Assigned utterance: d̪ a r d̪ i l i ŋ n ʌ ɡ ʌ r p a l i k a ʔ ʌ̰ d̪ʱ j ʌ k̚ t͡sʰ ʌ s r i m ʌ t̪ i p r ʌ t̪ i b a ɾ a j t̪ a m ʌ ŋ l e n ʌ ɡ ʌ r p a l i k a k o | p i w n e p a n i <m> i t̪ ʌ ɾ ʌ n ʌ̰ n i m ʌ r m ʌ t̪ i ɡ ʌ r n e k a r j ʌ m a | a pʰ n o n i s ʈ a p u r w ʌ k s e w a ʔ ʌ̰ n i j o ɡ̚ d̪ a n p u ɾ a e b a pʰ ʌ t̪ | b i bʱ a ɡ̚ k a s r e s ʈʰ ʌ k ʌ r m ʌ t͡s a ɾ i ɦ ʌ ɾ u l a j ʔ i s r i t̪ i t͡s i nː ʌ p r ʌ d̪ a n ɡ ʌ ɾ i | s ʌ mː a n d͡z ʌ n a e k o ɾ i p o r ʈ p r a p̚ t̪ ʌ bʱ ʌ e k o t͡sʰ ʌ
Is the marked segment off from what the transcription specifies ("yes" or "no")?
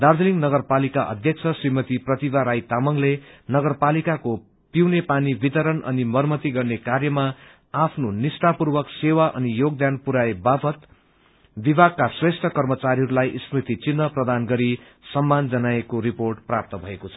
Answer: yes